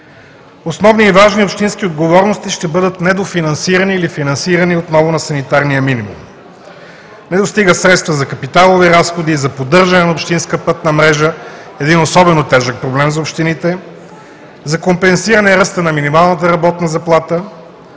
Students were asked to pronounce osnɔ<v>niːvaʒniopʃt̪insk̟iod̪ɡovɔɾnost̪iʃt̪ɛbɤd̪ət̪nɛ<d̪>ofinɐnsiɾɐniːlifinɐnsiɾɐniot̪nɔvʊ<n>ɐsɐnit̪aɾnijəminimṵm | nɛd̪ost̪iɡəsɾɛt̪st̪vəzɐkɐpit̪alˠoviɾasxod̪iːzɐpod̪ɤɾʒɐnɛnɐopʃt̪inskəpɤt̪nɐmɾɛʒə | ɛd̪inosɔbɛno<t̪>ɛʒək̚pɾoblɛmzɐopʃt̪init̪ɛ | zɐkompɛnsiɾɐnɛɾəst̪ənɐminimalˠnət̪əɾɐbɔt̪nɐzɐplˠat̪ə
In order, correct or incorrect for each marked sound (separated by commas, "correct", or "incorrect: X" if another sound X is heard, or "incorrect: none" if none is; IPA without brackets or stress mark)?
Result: correct, correct, correct, correct